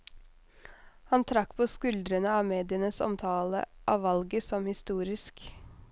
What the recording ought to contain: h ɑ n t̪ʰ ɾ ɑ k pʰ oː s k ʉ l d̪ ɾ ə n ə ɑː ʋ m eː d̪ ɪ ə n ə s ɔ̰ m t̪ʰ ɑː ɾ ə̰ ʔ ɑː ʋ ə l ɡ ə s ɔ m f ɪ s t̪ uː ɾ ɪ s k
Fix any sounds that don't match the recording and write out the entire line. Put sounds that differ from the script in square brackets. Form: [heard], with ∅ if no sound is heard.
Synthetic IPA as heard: h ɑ n t̪ʰ ɾ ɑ k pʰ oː s k ʉ l d̪ ɾ ə n ə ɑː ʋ m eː d̪ ɪ ə n ə s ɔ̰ m t̪ʰ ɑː [l] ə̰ ʔ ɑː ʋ [ɑ] l ɡ ə s ɔ m [h] ɪ s t̪ uː ɾ ɪ s k